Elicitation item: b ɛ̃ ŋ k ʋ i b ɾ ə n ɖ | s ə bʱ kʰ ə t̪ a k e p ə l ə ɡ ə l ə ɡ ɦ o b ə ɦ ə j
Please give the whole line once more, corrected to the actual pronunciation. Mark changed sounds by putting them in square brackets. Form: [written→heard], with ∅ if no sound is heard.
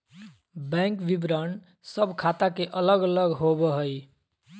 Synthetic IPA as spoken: b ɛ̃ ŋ k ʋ i b ɾ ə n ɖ | s ə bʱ kʰ [ə→a] t̪ a k e [p→ʔ] ə l ə ɡ ə l ə ɡ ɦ o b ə ɦ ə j

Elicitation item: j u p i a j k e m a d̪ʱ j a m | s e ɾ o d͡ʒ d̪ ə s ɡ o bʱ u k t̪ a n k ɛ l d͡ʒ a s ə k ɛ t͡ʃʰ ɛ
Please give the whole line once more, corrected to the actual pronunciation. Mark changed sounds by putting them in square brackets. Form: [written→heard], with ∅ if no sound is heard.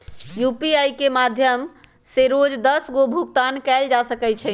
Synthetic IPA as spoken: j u p i a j k e m a d̪ʱ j [a→ə] m | s e ɾ o d͡ʒ d̪ ə s ɡ o bʱ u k t̪ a n k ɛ l d͡ʒ a s ə k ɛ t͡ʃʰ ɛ

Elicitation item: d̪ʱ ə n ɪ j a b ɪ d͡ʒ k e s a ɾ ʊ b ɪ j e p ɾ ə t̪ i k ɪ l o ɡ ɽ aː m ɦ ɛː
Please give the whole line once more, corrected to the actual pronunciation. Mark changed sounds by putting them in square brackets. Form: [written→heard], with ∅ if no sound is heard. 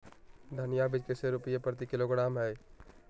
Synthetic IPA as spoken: d̪ʱ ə n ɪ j a b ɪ d͡ʒ k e s [a→e] ɾ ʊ [b→p] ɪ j e p ɾ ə t̪ i k ɪ l o ɡ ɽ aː m ɦ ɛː

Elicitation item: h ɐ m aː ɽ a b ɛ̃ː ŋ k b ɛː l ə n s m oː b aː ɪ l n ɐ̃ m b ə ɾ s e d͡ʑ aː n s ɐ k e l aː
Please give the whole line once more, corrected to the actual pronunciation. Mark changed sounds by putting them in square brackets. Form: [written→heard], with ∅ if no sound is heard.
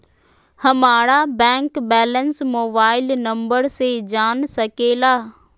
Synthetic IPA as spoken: h ɐ m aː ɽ a b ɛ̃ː ŋ k b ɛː l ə n s m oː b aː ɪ l n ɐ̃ m b ə ɾ s e d͡ʑ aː n s ɐ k e l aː

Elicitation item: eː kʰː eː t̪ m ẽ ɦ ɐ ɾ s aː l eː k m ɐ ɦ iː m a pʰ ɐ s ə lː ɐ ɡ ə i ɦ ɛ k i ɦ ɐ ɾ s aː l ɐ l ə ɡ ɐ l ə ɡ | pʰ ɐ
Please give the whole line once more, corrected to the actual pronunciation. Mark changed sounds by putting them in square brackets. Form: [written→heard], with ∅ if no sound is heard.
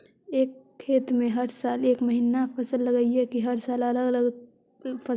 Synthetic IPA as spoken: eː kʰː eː t̪ m ẽ ɦ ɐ ɾ s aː l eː k m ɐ ɦ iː [m→n] a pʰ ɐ s ə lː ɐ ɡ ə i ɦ ɛ k i ɦ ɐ ɾ s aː l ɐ l ə ɡ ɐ l ə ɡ | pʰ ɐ

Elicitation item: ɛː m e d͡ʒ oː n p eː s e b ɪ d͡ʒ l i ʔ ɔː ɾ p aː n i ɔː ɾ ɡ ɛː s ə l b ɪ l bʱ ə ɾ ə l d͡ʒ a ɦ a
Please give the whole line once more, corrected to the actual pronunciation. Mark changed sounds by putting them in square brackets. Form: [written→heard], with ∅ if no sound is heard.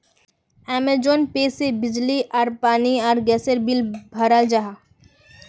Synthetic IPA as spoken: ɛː m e d͡ʒ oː n p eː s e b ɪ d͡ʒ l i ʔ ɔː ɾ p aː n i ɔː ɾ ɡ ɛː s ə [l→ɾ] b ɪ l bʱ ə ɾ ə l d͡ʒ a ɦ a

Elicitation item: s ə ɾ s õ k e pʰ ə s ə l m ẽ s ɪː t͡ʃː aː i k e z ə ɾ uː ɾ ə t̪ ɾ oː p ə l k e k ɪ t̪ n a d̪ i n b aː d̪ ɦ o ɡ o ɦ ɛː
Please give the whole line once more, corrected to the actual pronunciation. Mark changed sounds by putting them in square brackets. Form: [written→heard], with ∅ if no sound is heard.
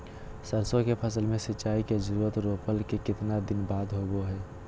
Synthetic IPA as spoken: s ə ɾ s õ k e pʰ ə s ə l m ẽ s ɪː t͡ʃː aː i k e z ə ɾ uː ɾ ə t̪ ɾ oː p ə l k e k ɪ t̪ n a d̪ [i→ɪ] n b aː d̪ ɦ o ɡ o ɦ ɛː

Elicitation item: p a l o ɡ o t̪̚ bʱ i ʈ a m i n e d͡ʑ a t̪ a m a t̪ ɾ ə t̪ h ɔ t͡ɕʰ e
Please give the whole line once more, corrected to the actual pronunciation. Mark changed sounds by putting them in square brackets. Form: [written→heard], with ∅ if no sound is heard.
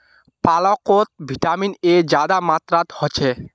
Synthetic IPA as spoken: p a l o [ɡ→k] o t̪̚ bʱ i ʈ a m i n e d͡ʑ a [t̪→d̪] a m a t̪ ɾ [ə→a] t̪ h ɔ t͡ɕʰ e

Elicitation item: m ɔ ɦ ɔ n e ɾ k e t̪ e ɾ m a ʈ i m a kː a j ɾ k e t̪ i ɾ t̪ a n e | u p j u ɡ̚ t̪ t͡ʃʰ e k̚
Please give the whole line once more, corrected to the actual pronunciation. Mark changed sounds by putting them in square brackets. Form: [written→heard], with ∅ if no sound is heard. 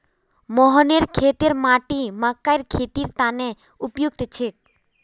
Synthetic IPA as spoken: m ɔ ɦ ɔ n e ɾ [k→kʰ] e t̪ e ɾ m a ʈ i m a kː a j ɾ [k→kʰ] e t̪ i ɾ t̪ a n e | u p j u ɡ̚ t̪ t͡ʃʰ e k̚

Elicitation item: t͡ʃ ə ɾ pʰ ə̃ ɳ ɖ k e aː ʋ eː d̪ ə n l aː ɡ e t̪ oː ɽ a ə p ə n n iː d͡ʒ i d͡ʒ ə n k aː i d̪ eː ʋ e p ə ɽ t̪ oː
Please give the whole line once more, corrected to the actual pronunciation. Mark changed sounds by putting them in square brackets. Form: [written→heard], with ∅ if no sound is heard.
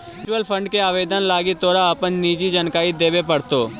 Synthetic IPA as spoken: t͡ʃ ə [ɾ→l] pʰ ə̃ ɳ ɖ k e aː ʋ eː d̪ ə n l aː ɡ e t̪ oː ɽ a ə p ə n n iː d͡ʒ i d͡ʒ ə n k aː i d̪ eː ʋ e p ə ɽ t̪ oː

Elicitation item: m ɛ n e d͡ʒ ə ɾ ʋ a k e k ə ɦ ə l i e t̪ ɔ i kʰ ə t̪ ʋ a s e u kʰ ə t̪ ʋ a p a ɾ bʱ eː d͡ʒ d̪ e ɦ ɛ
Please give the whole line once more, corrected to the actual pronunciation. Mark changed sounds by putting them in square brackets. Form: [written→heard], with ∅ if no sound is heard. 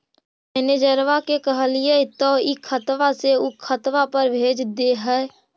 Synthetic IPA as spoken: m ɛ n e d͡ʒ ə ɾ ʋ a k e k ə ɦ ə l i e t̪ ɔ i kʰ ə t̪ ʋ a s e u kʰ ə t̪ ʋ a p [a→ə] ɾ bʱ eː d͡ʒ d̪ e ɦ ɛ

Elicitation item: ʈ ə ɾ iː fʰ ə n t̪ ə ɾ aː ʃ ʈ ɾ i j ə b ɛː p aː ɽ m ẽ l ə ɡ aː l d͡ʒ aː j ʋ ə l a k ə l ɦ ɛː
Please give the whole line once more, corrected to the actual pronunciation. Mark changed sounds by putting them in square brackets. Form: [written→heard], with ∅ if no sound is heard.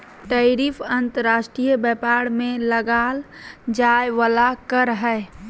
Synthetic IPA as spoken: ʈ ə ɾ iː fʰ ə n t̪ ə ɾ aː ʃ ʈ ɾ i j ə b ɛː p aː ɽ m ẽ l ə ɡ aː l d͡ʒ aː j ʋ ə l a k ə [l→ɾ] ɦ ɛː

